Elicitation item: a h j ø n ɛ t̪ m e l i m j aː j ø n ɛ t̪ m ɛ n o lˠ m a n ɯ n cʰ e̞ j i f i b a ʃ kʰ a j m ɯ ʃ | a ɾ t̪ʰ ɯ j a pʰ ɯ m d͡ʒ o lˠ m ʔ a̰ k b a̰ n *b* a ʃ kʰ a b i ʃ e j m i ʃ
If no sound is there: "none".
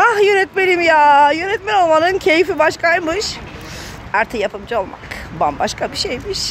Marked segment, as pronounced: b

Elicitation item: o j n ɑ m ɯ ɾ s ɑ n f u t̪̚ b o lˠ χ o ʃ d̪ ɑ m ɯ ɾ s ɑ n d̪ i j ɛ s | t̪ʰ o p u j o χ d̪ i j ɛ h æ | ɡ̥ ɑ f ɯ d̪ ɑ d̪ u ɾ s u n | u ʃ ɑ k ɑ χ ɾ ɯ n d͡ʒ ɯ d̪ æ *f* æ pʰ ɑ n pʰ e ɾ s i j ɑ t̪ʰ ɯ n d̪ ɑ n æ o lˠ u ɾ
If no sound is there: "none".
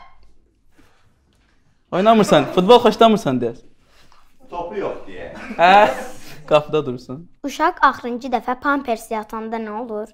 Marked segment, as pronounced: f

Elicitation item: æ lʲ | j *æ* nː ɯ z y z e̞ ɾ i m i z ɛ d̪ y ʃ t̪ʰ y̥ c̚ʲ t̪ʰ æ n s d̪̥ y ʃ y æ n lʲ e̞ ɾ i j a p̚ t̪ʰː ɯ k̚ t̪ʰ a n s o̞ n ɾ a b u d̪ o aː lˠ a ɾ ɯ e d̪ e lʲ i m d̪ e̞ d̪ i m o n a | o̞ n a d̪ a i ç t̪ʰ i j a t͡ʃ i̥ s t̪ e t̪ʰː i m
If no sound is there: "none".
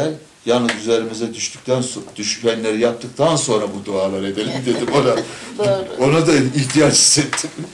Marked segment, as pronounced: a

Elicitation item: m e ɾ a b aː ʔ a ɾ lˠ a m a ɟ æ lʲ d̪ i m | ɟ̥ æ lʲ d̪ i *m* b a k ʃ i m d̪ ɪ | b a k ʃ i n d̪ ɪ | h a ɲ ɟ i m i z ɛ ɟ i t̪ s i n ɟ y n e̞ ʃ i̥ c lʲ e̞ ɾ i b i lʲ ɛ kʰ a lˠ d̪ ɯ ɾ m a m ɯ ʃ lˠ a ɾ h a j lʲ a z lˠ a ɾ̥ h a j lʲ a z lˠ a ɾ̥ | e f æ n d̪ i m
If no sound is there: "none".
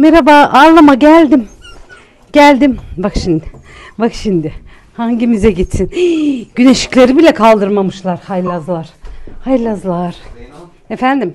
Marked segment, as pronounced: m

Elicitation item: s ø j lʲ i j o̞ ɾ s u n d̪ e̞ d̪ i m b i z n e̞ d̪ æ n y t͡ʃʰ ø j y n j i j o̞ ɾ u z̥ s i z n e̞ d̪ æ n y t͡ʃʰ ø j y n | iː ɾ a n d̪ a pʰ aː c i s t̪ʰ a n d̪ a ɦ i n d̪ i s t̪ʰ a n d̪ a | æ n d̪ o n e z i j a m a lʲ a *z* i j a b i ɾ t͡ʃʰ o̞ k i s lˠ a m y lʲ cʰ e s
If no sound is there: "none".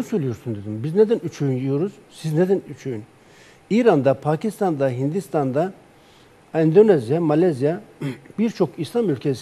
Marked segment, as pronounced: z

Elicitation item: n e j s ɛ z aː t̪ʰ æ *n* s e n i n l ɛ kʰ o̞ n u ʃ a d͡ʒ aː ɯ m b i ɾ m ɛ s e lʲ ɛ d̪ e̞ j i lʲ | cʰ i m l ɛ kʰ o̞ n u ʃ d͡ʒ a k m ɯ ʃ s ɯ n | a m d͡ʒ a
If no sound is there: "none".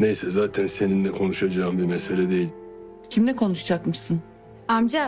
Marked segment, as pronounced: n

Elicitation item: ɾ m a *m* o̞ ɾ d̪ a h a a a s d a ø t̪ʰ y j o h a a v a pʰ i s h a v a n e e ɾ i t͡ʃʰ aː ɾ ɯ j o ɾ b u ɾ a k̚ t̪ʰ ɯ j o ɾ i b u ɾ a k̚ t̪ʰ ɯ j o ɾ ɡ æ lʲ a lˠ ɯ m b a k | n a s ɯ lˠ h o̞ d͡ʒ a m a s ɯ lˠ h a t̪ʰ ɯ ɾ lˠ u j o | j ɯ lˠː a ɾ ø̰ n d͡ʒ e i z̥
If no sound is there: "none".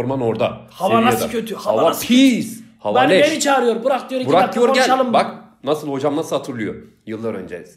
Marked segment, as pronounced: n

